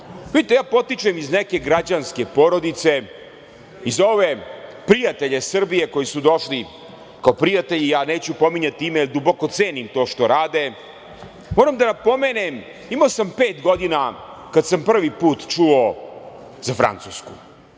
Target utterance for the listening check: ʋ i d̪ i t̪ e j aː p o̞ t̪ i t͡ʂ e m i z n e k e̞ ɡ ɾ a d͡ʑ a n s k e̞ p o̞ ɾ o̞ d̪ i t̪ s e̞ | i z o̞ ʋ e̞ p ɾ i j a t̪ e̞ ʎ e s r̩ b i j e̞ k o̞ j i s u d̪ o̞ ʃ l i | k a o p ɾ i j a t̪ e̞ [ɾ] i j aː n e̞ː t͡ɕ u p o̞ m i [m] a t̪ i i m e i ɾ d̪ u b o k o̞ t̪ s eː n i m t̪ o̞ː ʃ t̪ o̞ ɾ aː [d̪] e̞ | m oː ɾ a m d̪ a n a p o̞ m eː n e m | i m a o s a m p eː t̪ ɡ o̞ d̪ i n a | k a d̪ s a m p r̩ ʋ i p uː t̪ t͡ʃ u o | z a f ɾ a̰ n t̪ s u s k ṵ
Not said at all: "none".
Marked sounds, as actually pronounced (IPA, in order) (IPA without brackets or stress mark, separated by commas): ʎ, ɲ, d̪